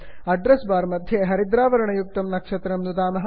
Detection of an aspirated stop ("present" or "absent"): absent